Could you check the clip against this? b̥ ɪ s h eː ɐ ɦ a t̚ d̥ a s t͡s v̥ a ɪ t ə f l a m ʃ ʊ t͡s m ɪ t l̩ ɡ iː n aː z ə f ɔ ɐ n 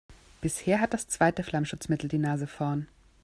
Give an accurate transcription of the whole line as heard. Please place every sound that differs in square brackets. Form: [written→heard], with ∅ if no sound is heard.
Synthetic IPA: b̥ ɪ s h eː ɐ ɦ a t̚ d̥ a s t͡s v̥ a ɪ t ə f l a m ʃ ʊ t͡s m ɪ t l̩ [ɡ→d] iː n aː z ə f ɔ ɐ n